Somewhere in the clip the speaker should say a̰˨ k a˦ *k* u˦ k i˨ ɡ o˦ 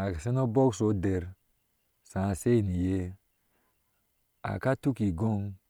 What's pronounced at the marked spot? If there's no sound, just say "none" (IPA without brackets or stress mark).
t